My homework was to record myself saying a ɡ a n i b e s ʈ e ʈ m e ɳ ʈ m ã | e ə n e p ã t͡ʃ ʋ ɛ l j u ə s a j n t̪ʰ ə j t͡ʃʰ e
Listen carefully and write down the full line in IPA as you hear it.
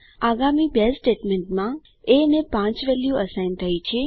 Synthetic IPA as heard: a ɡ a m i b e s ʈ e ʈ m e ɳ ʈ m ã | e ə n e p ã t͡ʃ ʋ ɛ l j u ə s a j n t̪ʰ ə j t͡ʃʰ e

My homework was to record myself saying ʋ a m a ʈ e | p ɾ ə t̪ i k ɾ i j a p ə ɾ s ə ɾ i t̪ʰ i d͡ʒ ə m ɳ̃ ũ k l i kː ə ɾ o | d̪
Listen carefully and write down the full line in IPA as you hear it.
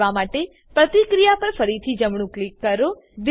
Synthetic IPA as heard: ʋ a m a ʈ e | p ɾ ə t̪ i k ɾ i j a p ə ɾ f ə ɾ i t̪ʰ i d͡ʒ ə m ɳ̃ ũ k l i kː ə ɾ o | d̪

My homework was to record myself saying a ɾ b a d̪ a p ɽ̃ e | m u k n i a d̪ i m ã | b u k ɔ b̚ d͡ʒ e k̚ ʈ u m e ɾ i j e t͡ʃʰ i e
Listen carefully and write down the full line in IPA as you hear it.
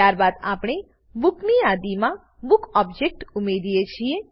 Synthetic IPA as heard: a ɾ b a d̪ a p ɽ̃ e | b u k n i a d̪ i m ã | b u k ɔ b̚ d͡ʒ e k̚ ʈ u m e ɾ i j e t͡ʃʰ i e

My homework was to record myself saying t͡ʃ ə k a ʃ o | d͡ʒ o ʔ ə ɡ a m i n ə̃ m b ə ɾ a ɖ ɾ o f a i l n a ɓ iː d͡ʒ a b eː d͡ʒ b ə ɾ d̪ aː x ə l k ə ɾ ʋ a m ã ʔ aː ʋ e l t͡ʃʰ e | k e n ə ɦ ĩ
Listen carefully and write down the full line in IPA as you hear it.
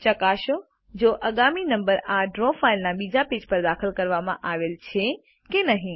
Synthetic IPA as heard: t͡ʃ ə k a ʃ o | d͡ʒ o ʔ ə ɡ a m i n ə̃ m b ə ɾ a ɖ ɾ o f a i l n a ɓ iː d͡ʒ a p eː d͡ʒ p ə ɾ d̪ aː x ə l k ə ɾ ʋ a m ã ʔ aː ʋ e l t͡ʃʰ e | k e n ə ɦ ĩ

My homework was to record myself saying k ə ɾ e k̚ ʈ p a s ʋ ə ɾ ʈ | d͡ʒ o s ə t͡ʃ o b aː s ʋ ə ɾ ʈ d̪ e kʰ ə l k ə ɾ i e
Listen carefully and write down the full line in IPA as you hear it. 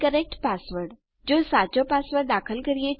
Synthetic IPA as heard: k ə ɾ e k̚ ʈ p a s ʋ ə ɾ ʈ | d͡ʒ o s a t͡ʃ o p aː s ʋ ə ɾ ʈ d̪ a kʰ ə l k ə ɾ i e

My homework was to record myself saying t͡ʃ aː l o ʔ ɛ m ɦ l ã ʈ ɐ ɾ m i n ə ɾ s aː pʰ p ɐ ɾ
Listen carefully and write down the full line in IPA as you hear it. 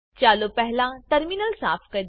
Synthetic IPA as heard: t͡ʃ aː l o p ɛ ɦ l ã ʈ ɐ ɾ m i n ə l s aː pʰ k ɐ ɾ

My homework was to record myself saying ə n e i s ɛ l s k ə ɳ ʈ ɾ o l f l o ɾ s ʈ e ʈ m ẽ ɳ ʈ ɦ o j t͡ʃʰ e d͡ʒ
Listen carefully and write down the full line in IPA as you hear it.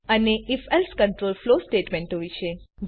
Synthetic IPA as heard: ə n e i f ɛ l s k ə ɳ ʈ ɾ o l f l o s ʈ e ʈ m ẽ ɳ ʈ ɦ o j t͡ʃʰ e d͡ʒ

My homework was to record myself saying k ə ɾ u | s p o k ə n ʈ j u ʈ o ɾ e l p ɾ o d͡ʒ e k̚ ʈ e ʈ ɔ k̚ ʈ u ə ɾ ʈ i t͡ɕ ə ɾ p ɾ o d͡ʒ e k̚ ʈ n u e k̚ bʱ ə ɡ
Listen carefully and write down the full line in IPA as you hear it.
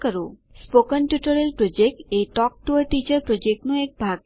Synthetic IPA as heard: k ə ɾ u | s p o k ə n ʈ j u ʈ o ɾ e l p ɾ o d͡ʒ e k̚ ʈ e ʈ ɔ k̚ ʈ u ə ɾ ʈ i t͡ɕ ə ɾ p ɾ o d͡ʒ e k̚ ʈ n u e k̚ bʱ a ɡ

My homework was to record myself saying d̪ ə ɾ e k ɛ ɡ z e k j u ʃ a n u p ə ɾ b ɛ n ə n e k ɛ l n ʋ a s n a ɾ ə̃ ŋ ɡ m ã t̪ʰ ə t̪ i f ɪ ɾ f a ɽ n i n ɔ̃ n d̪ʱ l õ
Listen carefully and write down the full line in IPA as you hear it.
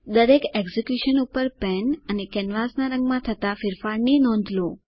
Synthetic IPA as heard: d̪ ə ɾ e k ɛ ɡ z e k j u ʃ ə n u p ə ɾ p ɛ n ə n e k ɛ n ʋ a s n a ɾ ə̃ ŋ ɡ m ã t̪ʰ ə t̪ a f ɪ ɾ f a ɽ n i n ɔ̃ n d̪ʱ l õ

